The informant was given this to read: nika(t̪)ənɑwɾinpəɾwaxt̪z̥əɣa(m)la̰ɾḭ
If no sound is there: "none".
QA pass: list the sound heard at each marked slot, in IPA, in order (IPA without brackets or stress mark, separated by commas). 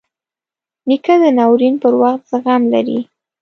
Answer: d̪, m